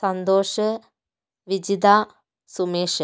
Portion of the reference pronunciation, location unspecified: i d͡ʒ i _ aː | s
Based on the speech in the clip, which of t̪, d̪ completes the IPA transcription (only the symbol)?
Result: d̪